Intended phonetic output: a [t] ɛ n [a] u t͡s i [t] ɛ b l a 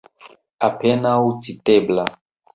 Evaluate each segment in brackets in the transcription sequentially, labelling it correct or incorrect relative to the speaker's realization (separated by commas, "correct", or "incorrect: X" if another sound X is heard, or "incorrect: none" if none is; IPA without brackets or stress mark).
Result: incorrect: p, correct, correct